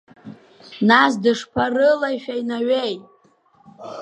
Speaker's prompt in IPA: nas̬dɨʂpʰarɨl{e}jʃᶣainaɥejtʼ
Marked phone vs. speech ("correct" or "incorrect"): incorrect